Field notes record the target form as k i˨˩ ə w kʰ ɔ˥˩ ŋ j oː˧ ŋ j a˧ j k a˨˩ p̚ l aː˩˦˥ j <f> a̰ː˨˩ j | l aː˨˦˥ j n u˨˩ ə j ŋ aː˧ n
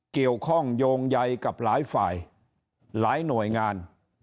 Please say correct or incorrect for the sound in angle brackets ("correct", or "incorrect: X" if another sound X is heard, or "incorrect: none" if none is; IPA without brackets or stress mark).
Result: correct